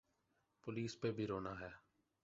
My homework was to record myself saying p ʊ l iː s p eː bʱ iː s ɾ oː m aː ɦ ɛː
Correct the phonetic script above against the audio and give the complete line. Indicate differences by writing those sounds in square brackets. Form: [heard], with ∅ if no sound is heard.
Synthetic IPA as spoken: p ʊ l iː s p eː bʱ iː [∅] ɾ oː [n] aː ɦ ɛː